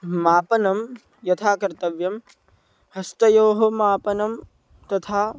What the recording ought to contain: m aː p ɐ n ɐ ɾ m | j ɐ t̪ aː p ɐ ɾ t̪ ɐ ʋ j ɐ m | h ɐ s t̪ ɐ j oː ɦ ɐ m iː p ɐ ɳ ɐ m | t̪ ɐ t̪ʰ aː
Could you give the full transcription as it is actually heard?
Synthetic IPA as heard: m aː p ɐ n ɐ m | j ɐ t̪ʰ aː k ɐ ɾ t̪ ɐ ʋ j ɐ m | h ɐ s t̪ ɐ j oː ɦ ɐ m aː p ɐ n ɐ m | t̪ ɐ t̪ʰ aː